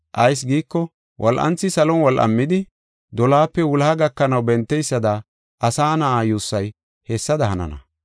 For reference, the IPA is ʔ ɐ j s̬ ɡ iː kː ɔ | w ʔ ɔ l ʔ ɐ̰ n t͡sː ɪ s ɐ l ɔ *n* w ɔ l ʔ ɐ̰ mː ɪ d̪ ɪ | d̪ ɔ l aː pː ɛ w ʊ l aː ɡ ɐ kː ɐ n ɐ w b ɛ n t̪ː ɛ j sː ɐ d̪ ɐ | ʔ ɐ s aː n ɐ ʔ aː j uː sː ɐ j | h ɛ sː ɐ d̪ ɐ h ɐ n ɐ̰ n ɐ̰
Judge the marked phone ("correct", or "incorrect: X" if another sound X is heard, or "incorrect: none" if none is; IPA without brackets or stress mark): correct